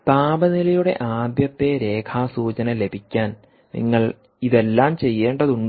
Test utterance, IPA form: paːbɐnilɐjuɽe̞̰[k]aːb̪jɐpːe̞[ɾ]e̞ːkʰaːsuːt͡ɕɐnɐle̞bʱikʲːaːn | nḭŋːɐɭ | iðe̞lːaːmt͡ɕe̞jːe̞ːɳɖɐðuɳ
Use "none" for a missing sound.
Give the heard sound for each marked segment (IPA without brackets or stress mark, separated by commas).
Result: ʔ, ɾ